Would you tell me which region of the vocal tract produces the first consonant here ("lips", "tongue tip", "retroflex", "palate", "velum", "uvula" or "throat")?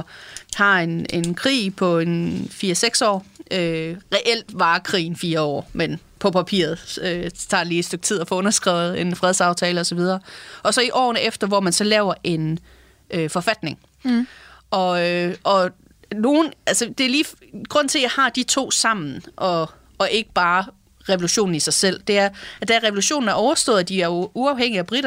throat